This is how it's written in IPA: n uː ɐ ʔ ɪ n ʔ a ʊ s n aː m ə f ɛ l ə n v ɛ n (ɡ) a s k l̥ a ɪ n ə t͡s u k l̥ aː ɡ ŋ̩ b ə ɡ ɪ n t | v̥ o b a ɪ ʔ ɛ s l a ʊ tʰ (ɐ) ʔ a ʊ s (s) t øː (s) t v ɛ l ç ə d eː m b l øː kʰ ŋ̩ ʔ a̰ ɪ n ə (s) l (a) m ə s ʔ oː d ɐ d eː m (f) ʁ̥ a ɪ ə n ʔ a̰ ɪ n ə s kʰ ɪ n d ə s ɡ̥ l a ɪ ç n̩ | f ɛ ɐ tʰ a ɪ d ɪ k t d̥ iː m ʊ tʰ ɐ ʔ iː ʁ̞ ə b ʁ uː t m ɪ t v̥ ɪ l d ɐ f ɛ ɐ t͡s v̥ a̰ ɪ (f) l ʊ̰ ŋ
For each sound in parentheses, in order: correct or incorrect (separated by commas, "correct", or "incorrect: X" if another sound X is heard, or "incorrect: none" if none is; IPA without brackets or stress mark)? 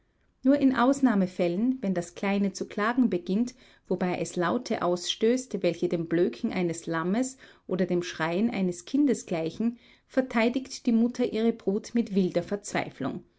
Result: incorrect: d, incorrect: ə, incorrect: ʃ, correct, correct, correct, incorrect: ʃ, correct